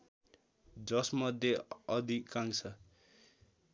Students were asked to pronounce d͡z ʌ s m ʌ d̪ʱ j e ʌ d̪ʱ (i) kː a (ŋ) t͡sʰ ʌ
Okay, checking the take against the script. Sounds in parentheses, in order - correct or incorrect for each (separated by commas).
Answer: correct, correct